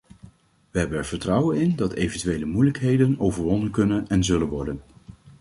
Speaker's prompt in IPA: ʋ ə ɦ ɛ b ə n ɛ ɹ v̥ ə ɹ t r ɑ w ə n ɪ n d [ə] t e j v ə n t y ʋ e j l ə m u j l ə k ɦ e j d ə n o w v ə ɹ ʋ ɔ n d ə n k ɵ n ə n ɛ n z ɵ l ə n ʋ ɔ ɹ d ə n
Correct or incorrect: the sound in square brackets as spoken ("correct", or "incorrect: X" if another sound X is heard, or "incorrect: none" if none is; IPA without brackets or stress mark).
incorrect: ɑ